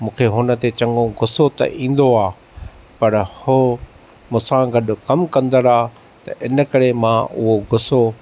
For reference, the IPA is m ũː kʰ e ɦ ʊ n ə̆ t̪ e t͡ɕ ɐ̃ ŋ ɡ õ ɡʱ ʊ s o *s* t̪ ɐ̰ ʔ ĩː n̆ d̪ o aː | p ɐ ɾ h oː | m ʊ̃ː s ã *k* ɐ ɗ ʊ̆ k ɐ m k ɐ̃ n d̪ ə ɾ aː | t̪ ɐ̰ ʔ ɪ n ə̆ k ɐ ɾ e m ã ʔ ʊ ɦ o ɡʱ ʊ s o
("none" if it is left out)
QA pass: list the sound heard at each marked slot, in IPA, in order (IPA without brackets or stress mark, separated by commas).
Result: none, ɡ